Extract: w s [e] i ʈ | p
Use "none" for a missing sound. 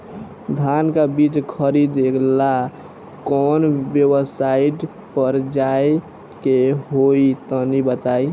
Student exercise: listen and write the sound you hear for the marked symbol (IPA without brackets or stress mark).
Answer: a